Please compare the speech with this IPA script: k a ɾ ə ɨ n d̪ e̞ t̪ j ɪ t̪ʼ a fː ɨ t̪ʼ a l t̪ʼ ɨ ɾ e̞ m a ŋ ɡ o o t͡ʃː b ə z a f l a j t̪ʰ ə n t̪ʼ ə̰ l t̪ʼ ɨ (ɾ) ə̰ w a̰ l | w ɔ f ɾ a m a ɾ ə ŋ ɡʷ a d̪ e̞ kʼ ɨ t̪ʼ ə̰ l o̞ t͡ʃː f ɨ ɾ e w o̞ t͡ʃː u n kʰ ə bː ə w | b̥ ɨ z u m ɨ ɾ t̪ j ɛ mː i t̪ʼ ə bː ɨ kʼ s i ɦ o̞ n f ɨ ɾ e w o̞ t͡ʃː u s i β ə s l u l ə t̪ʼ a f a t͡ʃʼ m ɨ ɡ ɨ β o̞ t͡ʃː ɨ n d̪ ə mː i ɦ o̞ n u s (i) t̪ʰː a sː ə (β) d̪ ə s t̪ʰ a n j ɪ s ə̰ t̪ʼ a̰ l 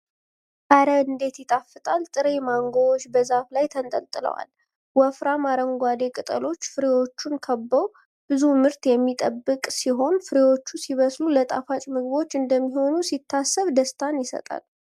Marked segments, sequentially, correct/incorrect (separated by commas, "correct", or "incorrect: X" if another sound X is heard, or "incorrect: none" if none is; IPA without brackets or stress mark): incorrect: l, correct, correct